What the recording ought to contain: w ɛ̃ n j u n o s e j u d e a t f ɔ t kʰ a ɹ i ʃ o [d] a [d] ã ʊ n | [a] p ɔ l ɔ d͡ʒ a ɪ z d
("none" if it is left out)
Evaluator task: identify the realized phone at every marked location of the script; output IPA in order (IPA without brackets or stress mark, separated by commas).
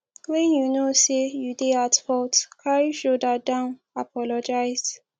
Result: d, d, a